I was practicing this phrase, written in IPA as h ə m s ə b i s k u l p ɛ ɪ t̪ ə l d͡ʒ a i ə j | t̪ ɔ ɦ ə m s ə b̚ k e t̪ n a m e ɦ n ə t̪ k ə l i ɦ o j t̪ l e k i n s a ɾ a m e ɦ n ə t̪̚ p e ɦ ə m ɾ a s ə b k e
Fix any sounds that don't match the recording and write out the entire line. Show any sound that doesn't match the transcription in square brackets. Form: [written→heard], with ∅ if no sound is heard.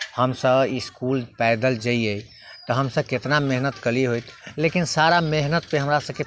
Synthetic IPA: h ə m s ə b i s k u l p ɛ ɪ [t̪→d̪] ə l d͡ʒ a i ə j | t̪ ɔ ɦ ə m s ə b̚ k e t̪ n a m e ɦ n ə t̪ k ə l i ɦ o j t̪ l e k i n s a ɾ a m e ɦ n ə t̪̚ p e ɦ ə m ɾ a s ə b k e

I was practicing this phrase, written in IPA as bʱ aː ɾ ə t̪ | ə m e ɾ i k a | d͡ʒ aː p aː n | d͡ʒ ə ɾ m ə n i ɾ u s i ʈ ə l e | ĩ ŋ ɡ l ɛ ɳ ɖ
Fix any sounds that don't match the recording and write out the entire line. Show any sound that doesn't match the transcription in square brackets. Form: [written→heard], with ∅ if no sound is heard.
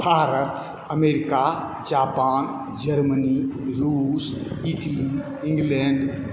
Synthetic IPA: bʱ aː ɾ ə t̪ | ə m e ɾ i k a | d͡ʒ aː p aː n | d͡ʒ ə ɾ m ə n i ɾ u s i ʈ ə l [e→i] | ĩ ŋ ɡ l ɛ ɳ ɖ

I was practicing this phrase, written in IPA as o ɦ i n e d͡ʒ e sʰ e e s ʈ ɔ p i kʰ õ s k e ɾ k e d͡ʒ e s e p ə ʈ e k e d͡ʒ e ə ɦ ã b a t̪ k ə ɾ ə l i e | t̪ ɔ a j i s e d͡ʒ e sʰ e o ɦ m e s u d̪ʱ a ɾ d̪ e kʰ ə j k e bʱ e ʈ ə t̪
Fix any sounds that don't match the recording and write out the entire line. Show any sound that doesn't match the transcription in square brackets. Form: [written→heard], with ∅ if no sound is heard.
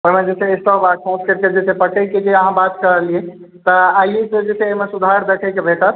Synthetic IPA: o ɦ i [n→m] e d͡ʒ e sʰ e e s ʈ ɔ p [i→a] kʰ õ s k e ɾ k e d͡ʒ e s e p ə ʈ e k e d͡ʒ e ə ɦ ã b a t̪ k ə ɾ ə l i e | t̪ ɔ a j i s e d͡ʒ e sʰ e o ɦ m e s u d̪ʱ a ɾ d̪ e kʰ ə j k e bʱ e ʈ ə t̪

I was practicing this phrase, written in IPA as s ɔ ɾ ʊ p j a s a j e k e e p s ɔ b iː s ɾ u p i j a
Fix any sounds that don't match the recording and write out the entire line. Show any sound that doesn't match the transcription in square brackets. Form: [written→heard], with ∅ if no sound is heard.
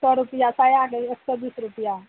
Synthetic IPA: s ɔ ɾ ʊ p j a s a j [e→a] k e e [p→k] s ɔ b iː s ɾ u p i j a

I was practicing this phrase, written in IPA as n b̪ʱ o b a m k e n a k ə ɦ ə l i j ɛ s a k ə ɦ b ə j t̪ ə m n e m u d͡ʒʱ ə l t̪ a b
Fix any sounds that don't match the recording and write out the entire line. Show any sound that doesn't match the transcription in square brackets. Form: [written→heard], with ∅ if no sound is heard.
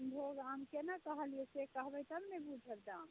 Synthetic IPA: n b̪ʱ o [b→ɡ] a m k e n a k ə ɦ ə l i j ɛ s [a→e] k ə ɦ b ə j t̪ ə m n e [m→b] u d͡ʒʱ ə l [t̪→d̪] a [b→m]

